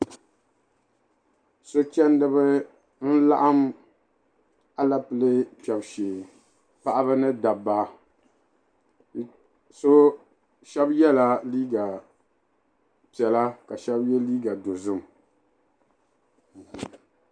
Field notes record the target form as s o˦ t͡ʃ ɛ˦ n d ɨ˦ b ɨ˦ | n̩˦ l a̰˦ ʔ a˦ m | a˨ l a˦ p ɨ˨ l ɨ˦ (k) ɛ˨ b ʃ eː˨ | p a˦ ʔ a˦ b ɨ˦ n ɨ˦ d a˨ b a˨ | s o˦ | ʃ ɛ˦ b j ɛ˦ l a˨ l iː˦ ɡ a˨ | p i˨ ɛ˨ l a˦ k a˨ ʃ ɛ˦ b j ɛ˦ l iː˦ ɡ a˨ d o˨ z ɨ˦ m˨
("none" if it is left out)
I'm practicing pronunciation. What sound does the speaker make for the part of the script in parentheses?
p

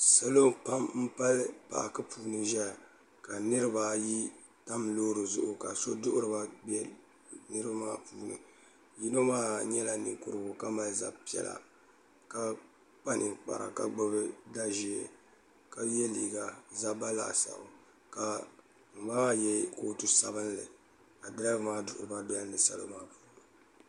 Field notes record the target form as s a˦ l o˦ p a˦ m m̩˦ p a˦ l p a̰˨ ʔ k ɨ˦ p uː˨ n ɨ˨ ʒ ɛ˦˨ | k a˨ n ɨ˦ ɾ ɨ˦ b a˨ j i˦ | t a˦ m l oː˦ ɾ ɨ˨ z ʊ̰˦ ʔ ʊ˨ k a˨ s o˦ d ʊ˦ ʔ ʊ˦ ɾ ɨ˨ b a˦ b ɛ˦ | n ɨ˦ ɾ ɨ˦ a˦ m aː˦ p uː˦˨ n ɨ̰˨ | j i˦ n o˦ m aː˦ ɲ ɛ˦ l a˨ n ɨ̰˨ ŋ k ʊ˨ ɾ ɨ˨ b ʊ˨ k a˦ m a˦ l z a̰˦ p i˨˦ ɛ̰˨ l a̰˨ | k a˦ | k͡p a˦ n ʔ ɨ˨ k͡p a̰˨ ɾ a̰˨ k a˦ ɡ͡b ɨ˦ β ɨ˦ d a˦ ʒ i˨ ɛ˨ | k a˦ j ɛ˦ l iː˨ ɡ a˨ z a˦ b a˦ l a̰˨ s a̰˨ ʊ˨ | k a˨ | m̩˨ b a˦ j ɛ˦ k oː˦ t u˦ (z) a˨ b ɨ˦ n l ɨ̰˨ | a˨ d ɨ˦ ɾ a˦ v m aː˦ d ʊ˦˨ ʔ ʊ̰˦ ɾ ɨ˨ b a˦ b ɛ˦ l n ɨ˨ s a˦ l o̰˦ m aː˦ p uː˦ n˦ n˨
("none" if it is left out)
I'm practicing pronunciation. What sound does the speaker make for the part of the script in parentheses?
s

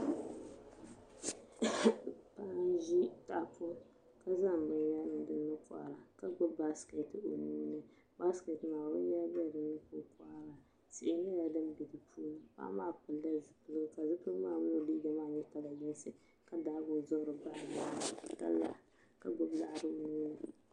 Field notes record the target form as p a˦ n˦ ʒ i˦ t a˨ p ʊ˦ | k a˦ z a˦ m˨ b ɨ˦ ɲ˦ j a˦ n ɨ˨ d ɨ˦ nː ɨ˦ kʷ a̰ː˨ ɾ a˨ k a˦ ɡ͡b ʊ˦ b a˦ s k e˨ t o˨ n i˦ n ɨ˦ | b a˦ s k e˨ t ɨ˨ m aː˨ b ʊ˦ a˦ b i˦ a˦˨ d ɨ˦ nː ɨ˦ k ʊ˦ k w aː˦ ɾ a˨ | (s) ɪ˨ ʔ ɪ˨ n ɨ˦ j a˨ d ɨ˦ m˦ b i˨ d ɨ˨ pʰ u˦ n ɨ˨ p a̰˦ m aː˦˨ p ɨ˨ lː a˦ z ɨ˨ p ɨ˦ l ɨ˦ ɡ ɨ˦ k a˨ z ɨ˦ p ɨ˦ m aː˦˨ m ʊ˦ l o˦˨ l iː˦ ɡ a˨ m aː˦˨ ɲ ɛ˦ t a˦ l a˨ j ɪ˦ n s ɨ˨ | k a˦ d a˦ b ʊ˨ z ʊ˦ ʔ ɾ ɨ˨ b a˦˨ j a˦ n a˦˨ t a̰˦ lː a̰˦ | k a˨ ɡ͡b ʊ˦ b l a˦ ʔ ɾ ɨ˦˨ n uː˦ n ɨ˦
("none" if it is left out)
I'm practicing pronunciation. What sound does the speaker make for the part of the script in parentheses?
s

